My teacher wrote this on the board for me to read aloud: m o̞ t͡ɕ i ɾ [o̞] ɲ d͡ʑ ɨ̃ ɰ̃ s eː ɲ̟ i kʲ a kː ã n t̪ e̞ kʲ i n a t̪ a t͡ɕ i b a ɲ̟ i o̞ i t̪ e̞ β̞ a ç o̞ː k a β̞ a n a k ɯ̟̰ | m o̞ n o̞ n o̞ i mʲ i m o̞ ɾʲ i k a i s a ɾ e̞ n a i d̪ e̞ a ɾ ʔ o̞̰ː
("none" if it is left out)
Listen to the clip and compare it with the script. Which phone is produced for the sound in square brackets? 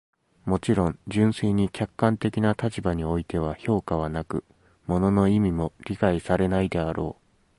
õ̞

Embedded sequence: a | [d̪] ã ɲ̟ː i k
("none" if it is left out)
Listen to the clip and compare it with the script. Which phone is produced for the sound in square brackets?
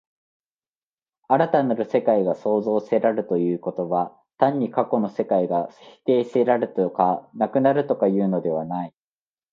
t̪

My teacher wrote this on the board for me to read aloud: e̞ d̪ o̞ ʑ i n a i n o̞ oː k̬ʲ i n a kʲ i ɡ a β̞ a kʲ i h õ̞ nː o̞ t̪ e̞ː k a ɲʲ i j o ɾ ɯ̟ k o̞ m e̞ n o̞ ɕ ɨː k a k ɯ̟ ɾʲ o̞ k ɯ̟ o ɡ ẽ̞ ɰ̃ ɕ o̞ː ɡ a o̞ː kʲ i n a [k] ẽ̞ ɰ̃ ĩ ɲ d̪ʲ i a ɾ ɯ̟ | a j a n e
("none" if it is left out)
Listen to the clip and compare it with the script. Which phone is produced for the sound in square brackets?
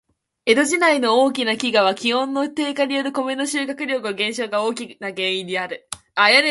ɡ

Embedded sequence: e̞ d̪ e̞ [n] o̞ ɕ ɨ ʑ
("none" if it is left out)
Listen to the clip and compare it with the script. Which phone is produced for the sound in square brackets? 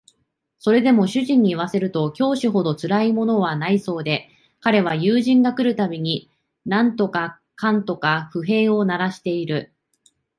m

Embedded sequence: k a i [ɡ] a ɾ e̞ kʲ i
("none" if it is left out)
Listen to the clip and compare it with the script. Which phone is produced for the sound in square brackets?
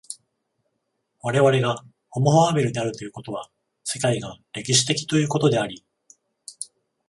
ɡ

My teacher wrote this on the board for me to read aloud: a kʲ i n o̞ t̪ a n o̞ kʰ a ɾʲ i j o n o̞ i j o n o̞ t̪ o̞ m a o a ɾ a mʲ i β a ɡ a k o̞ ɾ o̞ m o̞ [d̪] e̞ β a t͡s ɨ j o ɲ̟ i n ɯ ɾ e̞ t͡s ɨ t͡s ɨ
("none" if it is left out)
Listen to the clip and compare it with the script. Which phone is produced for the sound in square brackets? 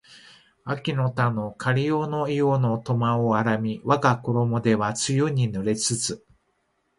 d̪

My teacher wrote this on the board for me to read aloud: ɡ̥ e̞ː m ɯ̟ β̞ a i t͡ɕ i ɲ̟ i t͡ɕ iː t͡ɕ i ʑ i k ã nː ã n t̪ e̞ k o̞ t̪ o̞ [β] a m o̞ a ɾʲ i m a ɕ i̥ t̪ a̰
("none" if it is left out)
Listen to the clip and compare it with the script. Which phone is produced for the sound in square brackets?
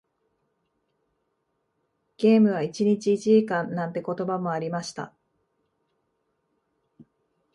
b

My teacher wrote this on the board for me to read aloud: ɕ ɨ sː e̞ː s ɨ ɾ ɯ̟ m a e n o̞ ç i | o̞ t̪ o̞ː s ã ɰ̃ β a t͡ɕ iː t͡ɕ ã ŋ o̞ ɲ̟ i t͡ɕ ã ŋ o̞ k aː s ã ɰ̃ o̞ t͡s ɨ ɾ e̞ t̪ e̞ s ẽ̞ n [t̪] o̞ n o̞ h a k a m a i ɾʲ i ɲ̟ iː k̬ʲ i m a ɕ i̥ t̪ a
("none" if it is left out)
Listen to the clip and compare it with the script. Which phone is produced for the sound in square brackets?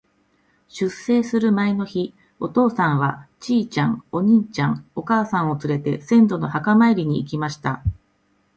d̪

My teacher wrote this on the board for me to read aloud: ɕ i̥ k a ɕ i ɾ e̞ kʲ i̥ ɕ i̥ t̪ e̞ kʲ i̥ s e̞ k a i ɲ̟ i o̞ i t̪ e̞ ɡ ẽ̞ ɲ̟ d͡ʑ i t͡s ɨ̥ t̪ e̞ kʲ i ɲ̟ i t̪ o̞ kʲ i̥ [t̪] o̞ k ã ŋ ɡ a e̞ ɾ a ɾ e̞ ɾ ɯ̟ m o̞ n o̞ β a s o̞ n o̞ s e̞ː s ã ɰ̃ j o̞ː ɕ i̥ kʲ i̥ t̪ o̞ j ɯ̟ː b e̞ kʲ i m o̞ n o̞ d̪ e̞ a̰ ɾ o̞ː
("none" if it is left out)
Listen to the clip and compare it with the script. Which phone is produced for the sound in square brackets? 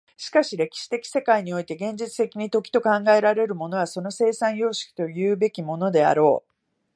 t̪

